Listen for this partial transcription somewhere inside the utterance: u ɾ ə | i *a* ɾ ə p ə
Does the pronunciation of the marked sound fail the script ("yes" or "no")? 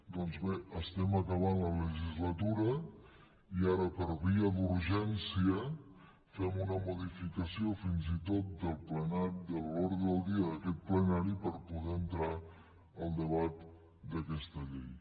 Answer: no